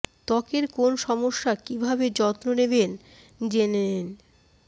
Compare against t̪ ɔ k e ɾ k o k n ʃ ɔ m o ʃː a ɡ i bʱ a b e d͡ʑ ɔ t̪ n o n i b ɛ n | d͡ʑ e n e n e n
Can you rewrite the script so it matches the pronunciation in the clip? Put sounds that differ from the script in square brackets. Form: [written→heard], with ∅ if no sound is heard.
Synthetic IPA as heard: t̪ ɔ k e ɾ k o [k→∅] n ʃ ɔ m o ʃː a [ɡ→k] i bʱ a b e d͡ʑ ɔ t̪ n o n [i→e] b [ɛ→e] n | d͡ʑ e n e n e n